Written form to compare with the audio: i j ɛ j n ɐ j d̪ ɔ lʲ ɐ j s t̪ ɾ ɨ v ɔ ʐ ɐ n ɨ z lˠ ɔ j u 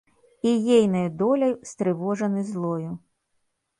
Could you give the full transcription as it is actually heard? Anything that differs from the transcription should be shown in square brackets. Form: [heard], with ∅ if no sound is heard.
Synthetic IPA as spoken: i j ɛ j n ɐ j d̪ ɔ lʲ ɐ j s t̪ ɾ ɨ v ɔ ʐ ɐ n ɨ z lˠ ɔ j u